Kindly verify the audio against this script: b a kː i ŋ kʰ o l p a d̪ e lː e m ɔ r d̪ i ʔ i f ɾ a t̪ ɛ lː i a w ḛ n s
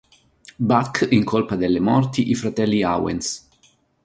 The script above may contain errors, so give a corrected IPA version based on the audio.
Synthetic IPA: b a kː i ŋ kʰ o l p a d̪ e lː e m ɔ r t̪ i ʔ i f ɾ a t̪ ɛ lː i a w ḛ n s